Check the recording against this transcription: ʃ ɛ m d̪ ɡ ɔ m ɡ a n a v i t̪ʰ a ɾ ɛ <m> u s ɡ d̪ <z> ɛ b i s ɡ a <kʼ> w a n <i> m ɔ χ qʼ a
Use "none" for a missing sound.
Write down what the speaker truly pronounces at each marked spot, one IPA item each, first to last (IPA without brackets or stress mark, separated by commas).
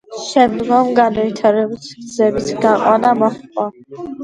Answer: b, z, qʼ, a